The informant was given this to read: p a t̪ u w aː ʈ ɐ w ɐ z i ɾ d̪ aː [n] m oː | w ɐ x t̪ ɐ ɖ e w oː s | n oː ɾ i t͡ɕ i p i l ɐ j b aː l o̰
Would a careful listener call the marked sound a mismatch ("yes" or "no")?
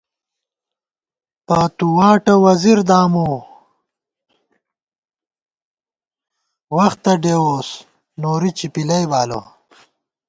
yes